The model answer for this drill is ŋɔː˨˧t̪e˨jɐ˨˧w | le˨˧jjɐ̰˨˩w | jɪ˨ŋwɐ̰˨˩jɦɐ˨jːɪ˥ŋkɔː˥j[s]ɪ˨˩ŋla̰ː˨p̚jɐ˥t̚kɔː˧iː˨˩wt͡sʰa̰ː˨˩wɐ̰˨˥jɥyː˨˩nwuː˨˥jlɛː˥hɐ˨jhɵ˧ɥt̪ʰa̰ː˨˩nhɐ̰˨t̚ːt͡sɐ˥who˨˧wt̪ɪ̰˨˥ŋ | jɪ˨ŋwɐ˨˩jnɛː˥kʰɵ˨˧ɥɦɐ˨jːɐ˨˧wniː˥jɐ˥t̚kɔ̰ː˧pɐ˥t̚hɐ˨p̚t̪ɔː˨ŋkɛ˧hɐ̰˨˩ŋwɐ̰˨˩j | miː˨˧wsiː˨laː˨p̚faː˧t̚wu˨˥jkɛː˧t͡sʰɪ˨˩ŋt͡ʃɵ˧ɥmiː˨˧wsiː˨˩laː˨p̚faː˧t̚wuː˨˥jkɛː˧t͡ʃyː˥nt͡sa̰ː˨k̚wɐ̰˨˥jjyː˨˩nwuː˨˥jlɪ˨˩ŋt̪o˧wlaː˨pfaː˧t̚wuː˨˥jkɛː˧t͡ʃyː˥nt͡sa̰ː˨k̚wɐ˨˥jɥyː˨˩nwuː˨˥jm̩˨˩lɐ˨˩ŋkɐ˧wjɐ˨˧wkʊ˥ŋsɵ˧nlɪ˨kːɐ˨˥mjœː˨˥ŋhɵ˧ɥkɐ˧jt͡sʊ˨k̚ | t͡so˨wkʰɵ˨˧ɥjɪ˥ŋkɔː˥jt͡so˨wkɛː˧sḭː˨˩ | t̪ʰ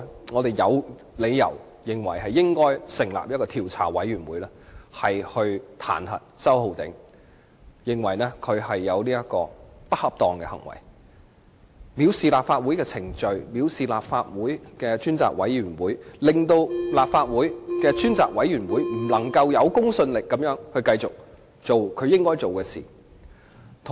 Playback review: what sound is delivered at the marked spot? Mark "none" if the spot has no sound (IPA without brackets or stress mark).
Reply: s